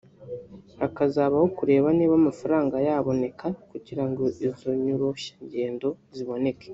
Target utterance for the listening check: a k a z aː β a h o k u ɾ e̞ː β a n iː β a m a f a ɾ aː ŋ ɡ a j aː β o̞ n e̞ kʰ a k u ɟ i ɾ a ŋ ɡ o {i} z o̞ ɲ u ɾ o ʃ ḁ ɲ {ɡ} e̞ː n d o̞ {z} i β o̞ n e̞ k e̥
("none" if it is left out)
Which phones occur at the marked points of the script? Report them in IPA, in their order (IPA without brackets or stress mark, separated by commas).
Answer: i, ɟ, z